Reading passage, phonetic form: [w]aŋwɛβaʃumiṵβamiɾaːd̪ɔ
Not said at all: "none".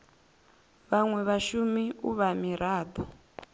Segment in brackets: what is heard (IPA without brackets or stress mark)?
β